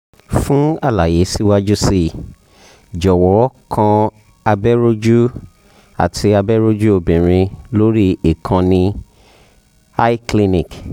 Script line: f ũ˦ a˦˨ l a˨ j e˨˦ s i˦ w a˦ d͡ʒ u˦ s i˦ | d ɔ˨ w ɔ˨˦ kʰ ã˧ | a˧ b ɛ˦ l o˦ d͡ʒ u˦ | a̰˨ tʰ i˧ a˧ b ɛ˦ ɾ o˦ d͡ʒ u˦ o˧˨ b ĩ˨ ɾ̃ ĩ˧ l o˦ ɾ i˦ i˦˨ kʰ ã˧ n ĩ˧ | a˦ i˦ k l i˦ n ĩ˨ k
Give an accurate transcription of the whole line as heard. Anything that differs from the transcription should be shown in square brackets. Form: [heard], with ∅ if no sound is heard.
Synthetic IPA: f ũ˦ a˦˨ l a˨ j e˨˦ s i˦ w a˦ d͡ʒ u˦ s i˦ | [d͡ʒ] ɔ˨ w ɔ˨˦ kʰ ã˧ | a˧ b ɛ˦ [ɾ] o˦ d͡ʒ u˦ | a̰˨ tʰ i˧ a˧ b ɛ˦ ɾ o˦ d͡ʒ u˦ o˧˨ b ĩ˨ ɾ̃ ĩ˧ l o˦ ɾ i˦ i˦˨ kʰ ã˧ n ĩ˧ | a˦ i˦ k l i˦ n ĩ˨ k